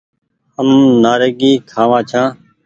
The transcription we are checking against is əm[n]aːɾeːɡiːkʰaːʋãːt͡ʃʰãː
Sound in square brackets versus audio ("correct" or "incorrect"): correct